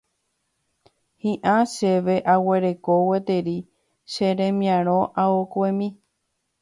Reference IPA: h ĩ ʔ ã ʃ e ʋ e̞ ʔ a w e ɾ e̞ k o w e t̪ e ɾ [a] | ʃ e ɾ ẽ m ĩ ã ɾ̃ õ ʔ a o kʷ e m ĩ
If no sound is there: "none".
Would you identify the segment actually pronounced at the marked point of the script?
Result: i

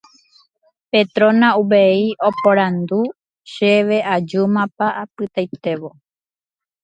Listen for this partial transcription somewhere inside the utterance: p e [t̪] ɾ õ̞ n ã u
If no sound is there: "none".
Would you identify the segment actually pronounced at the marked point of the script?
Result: t̪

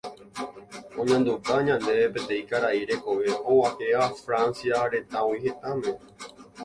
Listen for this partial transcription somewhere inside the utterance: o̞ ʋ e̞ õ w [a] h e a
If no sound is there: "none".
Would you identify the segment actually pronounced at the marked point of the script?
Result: a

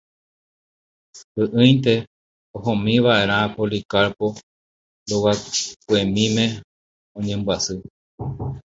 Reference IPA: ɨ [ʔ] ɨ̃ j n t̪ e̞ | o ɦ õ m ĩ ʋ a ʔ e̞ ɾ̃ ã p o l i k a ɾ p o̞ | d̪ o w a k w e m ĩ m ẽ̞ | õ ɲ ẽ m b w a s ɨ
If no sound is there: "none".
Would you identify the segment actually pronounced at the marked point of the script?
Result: ʔ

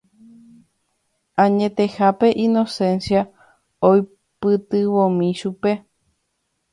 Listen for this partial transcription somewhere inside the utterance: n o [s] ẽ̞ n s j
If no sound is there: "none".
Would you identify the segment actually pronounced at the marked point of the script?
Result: s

